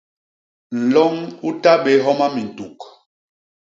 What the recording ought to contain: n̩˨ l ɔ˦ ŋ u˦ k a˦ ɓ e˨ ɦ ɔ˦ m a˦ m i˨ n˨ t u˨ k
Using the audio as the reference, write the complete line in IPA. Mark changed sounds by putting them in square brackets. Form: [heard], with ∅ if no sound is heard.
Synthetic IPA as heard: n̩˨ l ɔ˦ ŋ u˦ [t] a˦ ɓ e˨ ɦ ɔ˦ m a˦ m i˨ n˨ t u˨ k